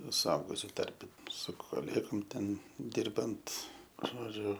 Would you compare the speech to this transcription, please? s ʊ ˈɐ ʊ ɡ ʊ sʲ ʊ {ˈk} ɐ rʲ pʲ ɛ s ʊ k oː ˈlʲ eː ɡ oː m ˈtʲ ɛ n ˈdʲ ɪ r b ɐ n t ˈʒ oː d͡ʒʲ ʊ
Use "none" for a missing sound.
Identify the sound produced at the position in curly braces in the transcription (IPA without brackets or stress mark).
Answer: t